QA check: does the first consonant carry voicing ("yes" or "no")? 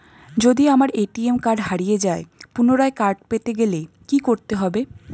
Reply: yes